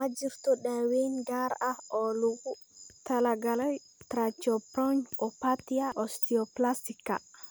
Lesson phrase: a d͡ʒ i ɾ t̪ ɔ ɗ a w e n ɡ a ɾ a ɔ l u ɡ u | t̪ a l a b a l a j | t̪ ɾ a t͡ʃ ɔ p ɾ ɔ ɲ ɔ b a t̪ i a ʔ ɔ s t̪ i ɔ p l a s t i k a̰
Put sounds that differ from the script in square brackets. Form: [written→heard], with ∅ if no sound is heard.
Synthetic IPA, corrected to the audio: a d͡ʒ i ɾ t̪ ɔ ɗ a w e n ɡ a ɾ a ɔ l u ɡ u | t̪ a l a [b→ɡ] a l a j | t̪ ɾ a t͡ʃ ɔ p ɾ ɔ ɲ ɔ [b→p] a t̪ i a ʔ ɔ s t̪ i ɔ p l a s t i k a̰